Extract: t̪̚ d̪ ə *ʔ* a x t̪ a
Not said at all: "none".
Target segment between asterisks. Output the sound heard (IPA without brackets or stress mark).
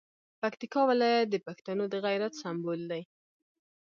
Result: p